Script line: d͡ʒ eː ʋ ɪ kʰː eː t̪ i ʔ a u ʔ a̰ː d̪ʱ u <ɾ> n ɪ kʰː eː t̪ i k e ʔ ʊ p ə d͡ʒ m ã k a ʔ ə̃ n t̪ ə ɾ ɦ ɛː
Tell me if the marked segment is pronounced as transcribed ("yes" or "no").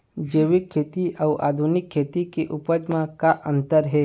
no